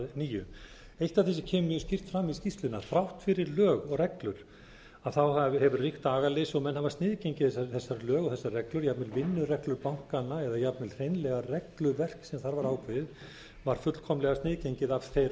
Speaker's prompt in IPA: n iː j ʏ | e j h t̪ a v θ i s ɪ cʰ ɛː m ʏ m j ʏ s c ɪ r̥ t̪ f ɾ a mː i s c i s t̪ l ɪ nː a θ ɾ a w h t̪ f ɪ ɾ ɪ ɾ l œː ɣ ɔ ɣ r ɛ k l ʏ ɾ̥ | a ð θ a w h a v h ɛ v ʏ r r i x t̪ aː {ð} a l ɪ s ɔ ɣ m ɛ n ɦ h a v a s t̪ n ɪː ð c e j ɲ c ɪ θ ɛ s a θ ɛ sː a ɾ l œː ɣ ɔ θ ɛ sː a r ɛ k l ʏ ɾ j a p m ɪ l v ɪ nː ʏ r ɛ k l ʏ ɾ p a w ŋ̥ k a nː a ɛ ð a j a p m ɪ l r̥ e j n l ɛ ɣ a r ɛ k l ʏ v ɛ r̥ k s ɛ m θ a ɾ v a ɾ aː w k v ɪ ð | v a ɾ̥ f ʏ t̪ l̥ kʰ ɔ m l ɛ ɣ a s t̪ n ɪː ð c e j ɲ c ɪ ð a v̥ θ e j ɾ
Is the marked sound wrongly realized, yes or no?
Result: yes